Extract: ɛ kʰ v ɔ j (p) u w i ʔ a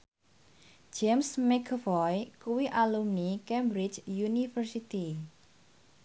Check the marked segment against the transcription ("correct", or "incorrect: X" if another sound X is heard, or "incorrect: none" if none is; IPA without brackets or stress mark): incorrect: k